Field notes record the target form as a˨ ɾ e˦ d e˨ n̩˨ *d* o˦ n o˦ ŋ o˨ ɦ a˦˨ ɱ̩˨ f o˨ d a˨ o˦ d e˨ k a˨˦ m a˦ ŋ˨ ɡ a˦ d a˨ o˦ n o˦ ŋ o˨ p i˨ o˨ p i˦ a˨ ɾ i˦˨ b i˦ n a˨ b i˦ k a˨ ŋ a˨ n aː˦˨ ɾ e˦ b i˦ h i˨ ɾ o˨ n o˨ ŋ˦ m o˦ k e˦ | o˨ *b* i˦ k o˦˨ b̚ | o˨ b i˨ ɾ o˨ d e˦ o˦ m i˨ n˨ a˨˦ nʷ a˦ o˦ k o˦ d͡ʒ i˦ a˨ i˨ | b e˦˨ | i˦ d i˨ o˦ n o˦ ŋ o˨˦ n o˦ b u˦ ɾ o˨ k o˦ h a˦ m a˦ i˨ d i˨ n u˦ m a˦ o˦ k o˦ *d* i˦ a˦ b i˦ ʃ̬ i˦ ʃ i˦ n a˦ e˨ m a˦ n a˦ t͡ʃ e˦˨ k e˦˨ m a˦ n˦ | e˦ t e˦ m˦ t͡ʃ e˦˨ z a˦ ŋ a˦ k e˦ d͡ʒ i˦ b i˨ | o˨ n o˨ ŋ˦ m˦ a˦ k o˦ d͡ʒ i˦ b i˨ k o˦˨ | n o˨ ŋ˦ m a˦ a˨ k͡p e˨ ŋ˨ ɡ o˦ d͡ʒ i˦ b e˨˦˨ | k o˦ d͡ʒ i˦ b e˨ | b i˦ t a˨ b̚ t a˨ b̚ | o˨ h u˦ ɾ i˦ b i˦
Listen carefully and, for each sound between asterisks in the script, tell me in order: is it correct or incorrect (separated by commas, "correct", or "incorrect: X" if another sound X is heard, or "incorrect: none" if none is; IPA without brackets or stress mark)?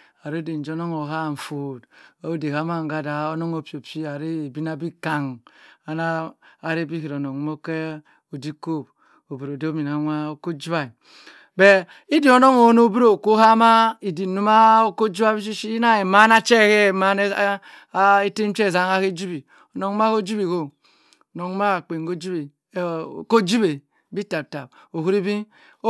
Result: incorrect: d͡ʒ, incorrect: d, incorrect: d͡ʒ